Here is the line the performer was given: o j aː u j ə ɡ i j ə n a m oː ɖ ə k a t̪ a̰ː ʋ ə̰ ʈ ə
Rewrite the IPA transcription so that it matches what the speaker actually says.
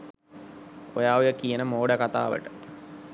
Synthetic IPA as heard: o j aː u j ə k i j ə n ə m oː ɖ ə k a t̪ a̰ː ʋ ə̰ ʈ ə